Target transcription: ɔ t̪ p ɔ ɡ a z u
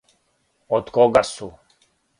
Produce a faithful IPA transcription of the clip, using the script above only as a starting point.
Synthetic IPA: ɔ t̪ k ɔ ɡ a s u